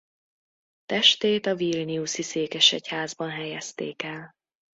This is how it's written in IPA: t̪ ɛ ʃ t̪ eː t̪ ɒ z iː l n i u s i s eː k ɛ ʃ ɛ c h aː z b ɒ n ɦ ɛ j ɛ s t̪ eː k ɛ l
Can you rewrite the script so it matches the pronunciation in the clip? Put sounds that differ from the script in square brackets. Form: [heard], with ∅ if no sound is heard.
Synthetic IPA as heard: t̪ ɛ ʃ t̪ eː t̪ ɒ [v] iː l n i u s i s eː k ɛ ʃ ɛ c h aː z b ɒ n ɦ ɛ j ɛ s t̪ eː k ɛ l